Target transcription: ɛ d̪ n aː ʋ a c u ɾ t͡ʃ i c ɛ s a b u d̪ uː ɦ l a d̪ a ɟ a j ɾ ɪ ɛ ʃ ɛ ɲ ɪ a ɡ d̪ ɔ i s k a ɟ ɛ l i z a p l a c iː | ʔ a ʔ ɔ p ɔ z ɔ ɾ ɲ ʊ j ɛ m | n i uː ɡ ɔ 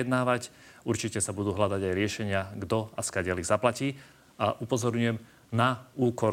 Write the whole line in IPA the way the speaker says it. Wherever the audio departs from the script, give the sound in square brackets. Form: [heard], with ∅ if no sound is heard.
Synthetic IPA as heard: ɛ d̪ n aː ʋ a c u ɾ t͡ʃ i c ɛ s a b u d̪ uː ɦ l a d̪ a ɟ a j ɾ ɪ ɛ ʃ ɛ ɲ ɪ a ɡ d̪ ɔ [a] s k a ɟ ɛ l i z a p l a c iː | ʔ a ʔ [u] p ɔ z ɔ ɾ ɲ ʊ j ɛ m | n [a] uː [k] ɔ